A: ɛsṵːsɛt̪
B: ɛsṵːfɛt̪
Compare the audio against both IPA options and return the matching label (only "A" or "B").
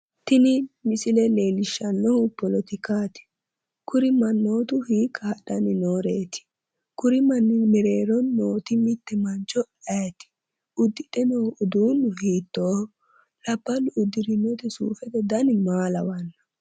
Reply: B